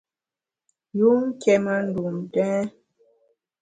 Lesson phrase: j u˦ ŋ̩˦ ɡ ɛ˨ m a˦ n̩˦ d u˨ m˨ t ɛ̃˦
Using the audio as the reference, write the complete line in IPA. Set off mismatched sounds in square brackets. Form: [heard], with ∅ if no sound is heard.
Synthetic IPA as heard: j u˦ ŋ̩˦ [k] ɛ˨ m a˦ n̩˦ d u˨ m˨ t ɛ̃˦

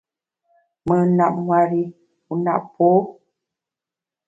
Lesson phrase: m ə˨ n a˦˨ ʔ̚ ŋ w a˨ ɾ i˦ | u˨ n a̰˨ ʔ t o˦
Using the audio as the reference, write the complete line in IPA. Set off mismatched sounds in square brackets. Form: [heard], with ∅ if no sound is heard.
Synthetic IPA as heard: m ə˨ n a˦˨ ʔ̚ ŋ w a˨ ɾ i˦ | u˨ n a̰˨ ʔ [p] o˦

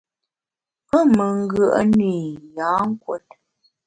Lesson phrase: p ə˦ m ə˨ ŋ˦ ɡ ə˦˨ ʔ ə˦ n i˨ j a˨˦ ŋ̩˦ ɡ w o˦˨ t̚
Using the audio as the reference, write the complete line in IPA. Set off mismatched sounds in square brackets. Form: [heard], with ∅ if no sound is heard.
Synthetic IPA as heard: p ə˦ m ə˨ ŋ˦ ɡ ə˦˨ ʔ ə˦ n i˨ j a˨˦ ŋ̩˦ [k] w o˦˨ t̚

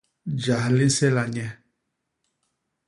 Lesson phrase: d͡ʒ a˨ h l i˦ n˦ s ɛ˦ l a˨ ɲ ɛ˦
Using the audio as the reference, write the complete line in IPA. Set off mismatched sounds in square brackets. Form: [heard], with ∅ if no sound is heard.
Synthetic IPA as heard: d͡ʒ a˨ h l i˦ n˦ s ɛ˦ l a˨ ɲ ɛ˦

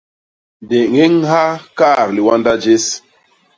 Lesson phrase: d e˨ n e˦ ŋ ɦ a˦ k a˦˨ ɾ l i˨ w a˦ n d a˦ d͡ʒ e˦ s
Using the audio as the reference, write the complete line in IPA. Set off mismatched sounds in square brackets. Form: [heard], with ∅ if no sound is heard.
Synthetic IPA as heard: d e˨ [ŋ] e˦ ŋ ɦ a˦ k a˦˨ ɾ l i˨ w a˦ n d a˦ d͡ʒ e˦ s

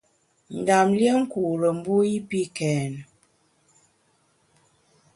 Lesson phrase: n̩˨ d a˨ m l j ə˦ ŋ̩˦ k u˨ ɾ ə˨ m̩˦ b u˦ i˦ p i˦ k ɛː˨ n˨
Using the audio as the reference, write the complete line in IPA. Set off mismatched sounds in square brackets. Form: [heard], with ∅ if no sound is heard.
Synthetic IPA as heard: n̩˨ d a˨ m l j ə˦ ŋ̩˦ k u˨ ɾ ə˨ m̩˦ b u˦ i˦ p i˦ k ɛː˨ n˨

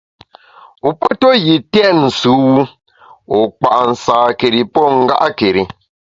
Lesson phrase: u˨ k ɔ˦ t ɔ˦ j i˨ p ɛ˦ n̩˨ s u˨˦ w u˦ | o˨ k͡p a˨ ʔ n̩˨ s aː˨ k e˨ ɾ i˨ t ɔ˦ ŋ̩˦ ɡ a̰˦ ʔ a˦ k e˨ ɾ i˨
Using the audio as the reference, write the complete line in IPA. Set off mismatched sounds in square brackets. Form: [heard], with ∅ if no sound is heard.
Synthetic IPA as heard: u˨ [p] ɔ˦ t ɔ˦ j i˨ [t] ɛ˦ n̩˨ s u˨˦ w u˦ | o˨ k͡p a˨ ʔ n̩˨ s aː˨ k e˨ ɾ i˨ [p] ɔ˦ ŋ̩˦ ɡ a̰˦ ʔ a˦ k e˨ ɾ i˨

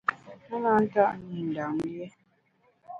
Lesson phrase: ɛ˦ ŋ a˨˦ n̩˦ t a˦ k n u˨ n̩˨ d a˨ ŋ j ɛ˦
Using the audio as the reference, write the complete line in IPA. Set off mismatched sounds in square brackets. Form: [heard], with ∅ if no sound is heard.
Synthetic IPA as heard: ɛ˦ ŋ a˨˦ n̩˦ t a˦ [ʔ] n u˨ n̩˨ d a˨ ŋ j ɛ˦

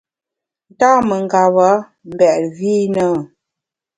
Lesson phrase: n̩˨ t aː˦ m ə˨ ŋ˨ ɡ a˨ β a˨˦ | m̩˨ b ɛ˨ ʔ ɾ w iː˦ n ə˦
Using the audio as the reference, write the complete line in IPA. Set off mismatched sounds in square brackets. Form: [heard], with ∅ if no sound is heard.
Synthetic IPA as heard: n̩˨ t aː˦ m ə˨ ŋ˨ ɡ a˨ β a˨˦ | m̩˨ b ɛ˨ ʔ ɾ [v] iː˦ n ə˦

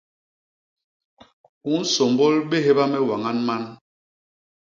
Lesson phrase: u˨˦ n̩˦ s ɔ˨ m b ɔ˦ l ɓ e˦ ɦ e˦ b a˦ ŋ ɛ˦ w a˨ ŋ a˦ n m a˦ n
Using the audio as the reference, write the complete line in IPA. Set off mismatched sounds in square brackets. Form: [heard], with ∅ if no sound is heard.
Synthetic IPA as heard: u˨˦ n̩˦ s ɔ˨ m b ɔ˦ l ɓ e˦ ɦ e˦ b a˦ [m] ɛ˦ w a˨ ŋ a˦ n m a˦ n

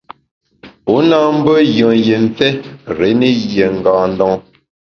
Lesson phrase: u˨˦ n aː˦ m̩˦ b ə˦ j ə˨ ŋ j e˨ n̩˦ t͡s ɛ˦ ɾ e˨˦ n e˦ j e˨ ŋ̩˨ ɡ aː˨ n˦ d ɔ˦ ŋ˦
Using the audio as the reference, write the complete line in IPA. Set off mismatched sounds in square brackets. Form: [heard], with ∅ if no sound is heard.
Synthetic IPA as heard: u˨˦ n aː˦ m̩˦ b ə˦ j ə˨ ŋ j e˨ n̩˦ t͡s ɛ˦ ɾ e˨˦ n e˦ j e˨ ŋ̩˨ ɡ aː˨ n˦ d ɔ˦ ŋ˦

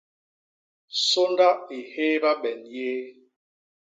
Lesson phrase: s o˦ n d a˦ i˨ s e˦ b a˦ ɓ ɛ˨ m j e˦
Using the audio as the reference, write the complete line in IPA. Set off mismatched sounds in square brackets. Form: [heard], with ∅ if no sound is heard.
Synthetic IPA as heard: s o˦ n d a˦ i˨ [h] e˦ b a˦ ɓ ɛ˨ [n] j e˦

